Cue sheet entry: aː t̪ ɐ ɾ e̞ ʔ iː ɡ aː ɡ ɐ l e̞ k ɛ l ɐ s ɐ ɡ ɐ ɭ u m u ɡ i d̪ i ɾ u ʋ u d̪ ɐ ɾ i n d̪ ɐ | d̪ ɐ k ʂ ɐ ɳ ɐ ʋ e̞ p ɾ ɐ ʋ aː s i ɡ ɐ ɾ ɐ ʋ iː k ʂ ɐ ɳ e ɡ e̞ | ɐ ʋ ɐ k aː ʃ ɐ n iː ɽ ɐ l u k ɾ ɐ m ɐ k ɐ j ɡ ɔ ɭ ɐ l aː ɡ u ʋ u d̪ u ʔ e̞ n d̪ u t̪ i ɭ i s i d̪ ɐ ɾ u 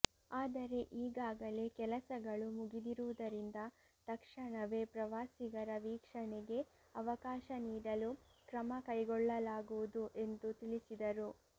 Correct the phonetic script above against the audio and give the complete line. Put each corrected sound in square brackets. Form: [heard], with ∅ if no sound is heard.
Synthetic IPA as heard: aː [d̪] ɐ ɾ e̞ ʔ iː ɡ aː ɡ ɐ l e̞ k ɛ l ɐ s ɐ ɡ ɐ ɭ u m u ɡ i d̪ i ɾ u ʋ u d̪ ɐ ɾ i n d̪ ɐ | [t̪] ɐ k ʂ ɐ ɳ ɐ ʋ e̞ p ɾ ɐ ʋ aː s i ɡ ɐ ɾ ɐ ʋ iː k ʂ ɐ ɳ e ɡ e̞ | ɐ ʋ ɐ k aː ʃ ɐ n iː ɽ ɐ l u k ɾ ɐ m ɐ k ɐ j ɡ ɔ [ɭː] ɐ l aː ɡ u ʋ u d̪ u ʔ e̞ n d̪ u t̪ i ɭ i s i d̪ ɐ ɾ u

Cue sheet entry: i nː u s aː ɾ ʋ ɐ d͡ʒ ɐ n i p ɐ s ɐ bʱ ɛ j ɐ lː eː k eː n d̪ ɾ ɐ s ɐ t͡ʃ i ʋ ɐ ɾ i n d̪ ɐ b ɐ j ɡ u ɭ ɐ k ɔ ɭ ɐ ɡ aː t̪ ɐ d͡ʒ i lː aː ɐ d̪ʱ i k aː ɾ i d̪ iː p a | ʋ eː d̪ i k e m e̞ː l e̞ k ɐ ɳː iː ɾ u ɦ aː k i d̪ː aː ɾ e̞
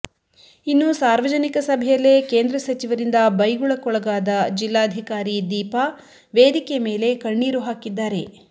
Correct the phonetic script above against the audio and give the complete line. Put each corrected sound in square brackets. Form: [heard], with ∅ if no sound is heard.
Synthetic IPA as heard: i nː u s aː ɾ ʋ ɐ d͡ʒ ɐ n i [k] ɐ s ɐ bʱ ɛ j ɐ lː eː k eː n d̪ ɾ ɐ s ɐ t͡ʃ i ʋ ɐ ɾ i n d̪ ɐ b ɐ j ɡ u ɭ ɐ k ɔ ɭ ɐ ɡ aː [d̪] ɐ d͡ʒ i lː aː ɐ d̪ʱ i k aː ɾ i d̪ iː p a | ʋ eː d̪ i k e m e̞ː l e̞ k ɐ ɳː iː ɾ u ɦ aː k i d̪ː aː ɾ e̞

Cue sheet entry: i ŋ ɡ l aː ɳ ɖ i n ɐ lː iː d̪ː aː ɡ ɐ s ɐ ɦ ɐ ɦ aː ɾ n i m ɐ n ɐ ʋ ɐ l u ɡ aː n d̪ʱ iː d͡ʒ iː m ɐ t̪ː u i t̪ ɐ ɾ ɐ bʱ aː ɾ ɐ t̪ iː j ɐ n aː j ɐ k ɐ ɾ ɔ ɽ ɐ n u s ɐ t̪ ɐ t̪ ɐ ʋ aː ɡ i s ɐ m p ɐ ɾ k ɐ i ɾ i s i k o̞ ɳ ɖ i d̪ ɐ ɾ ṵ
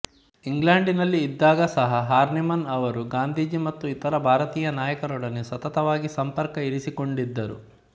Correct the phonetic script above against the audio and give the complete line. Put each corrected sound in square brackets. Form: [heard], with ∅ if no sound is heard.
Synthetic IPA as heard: i ŋ ɡ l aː ɳ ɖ i n ɐ lː iː d̪ː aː ɡ ɐ s ɐ ɦ ɐ ɦ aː ɾ n i m ɐ n ɐ ʋ ɐ [ɾ] u ɡ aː n d̪ʱ iː d͡ʒ [i] m ɐ t̪ː u i t̪ ɐ ɾ ɐ bʱ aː ɾ ɐ t̪ iː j ɐ n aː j ɐ k ɐ ɾ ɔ ɽ ɐ n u s ɐ t̪ ɐ t̪ ɐ ʋ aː ɡ i s ɐ m p ɐ ɾ k ɐ i ɾ i s i k o̞ ɳ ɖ i [d̪ː] ɐ ɾ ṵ

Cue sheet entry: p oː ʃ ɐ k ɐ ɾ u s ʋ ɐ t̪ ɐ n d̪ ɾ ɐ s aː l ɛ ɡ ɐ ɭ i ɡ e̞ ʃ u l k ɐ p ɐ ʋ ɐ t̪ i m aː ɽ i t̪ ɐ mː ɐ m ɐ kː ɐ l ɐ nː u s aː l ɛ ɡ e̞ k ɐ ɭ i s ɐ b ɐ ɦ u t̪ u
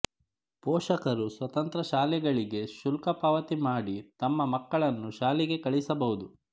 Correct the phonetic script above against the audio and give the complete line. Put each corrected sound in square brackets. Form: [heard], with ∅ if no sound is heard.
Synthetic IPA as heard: p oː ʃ ɐ k ɐ ɾ u s ʋ ɐ t̪ ɐ n [t̪] ɾ ɐ [ʃ] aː l ɛ ɡ ɐ ɭ i ɡ e̞ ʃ u l k ɐ p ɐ ʋ ɐ t̪ i m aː ɽ i t̪ ɐ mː ɐ m ɐ kː ɐ [ɭ] ɐ nː u [ʃ] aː l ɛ ɡ e̞ k ɐ ɭ i s ɐ b ɐ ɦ u [d̪] u

